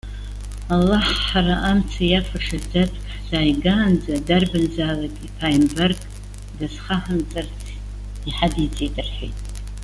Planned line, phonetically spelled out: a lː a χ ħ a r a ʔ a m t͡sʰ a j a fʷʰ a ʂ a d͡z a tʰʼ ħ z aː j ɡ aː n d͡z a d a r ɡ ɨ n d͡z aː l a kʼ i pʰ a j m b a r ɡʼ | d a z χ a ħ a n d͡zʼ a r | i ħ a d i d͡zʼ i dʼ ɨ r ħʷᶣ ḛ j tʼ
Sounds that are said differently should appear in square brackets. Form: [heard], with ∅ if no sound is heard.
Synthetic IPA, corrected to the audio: a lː a [ħ] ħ a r a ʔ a m t͡sʰ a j a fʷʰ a ʂ a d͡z a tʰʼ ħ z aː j ɡ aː n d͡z a d a r [b] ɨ n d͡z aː l a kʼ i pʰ a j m b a r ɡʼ | d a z χ a ħ a n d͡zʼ a r | i ħ a d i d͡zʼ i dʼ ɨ r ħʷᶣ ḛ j tʼ

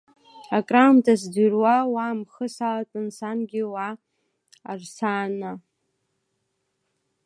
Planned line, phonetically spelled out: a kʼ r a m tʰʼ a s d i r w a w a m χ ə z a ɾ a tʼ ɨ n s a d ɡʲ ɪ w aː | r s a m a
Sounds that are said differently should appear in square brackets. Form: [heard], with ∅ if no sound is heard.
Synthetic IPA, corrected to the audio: a kʼ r a m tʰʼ a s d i r w a w a m χ ə [s] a [l] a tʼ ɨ n s a [n] ɡʲ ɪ w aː | r s a [n] a

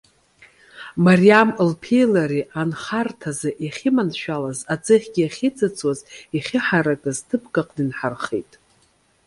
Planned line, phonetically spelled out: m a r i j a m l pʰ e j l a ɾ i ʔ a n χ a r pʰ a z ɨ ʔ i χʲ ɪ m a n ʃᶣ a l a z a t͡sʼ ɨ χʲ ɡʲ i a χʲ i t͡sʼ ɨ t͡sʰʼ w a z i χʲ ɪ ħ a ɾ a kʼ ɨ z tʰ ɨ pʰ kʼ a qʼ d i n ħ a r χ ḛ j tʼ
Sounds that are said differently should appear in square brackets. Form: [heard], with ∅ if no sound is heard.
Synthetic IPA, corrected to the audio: m a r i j a m l pʰ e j l a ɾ i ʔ a n χ a r [tʰ] a z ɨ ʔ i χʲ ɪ m a n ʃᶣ a l a z a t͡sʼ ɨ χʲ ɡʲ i a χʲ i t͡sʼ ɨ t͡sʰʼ w a z i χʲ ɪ ħ a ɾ a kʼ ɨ z tʰ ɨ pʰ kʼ a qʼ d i n ħ a r χ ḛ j tʼ

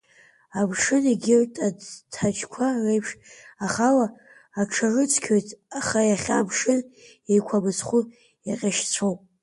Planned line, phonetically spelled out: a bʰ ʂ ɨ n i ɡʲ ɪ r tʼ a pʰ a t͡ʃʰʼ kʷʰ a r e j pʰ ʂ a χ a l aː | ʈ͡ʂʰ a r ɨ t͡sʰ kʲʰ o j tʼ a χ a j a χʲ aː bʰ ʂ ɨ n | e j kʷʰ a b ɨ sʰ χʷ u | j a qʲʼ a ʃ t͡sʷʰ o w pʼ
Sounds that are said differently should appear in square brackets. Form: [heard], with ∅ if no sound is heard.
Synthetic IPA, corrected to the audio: a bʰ ʂ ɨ n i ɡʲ ɪ r tʼ a [tʰ] a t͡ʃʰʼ kʷʰ a r e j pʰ ʂ a χ a l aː | ʈ͡ʂʰ a r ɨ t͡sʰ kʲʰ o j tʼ a χ a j a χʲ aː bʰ ʂ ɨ n | e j kʷʰ a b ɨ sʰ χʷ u | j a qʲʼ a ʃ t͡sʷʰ o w pʼ

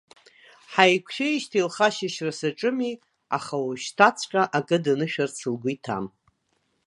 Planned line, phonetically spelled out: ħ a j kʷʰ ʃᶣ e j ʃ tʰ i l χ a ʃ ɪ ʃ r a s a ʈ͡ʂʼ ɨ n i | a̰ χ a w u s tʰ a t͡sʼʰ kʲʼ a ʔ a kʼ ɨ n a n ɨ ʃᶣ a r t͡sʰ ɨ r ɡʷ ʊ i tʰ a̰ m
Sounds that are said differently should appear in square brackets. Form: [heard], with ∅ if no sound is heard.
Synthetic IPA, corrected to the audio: ħ a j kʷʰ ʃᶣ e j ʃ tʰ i l χ a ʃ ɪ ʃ r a s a ʈ͡ʂʼ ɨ [m] i | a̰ χ a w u [ʃ] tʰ a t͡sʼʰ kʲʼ a ʔ a kʼ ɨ [d] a n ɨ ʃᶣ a r t͡sʰ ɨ [l] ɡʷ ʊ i tʰ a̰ m

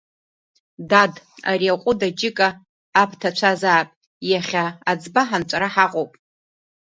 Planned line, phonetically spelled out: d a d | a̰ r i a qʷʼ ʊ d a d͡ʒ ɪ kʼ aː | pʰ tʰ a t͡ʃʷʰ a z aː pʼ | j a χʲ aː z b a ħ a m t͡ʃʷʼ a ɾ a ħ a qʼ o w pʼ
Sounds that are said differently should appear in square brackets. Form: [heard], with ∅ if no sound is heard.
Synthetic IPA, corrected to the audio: d a d | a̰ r i a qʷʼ ʊ d a d͡ʒ ɪ kʼ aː | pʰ tʰ a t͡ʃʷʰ a z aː pʼ | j a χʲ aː [d͡z] b a ħ a [n] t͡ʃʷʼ a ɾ a ħ a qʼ o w pʼ

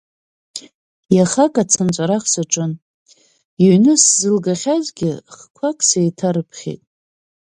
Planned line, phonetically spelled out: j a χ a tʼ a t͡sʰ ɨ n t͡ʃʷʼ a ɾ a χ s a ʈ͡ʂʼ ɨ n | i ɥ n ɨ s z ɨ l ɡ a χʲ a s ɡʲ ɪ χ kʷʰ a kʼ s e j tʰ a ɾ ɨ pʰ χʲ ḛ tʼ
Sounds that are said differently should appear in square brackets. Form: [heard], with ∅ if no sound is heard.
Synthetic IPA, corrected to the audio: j a χ a [kʼ] a t͡sʰ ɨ n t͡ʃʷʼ a ɾ a χ s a ʈ͡ʂʼ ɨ n | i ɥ n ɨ s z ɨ l ɡ a χʲ a [z] ɡʲ ɪ χ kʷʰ a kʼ s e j tʰ a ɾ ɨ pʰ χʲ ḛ tʼ

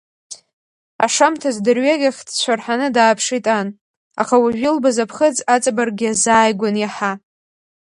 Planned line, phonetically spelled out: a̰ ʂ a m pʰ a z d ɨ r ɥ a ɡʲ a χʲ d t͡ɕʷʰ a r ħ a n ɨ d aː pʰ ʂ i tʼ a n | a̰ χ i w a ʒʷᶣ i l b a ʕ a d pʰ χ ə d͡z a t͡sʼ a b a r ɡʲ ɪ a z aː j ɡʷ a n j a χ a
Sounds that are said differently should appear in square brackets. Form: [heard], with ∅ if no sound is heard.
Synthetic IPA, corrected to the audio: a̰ ʂ a m [tʰ] a z d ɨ r ɥ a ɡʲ a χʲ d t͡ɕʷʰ a r ħ a n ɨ d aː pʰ ʂ i tʼ a n | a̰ χ [a] w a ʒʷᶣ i l b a [z] a [∅] pʰ χ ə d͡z a t͡sʼ a b a r ɡʲ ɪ a z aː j ɡʷ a n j a [ħ] a

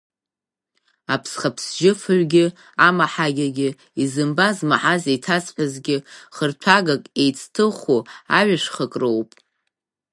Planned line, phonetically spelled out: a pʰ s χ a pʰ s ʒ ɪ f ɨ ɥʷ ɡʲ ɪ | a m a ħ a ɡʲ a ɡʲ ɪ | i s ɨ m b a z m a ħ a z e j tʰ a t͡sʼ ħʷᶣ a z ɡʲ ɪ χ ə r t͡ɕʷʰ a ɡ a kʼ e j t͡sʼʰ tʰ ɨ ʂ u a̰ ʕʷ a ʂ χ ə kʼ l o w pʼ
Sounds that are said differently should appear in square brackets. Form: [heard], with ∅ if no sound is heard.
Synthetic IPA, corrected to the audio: a pʰ s χ a pʰ s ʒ ɪ f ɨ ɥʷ ɡʲ ɪ | a m a ħ a ɡʲ a ɡʲ ɪ | i [z] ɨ m b a z m a ħ a z e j tʰ a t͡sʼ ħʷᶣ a z ɡʲ ɪ χ ə r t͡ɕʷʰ a ɡ a kʼ e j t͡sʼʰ tʰ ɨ [χ] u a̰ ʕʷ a ʂ χ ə kʼ [r] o w pʼ

